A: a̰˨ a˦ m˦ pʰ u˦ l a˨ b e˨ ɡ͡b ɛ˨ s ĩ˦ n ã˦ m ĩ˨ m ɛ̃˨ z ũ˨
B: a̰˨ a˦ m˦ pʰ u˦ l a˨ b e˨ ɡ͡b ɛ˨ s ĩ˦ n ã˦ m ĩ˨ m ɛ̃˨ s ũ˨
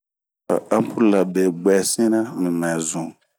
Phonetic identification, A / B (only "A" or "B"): A